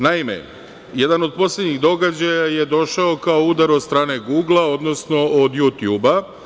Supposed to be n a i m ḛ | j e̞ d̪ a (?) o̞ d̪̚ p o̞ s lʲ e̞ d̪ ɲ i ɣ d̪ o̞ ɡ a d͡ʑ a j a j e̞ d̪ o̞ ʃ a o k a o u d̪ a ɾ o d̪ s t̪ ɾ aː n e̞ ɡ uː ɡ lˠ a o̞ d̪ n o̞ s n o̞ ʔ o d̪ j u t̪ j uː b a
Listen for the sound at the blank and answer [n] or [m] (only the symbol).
n